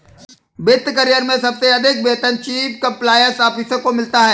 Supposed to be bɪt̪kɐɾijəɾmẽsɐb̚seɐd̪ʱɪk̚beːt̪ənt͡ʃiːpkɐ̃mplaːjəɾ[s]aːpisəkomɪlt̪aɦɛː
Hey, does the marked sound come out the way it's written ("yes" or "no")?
yes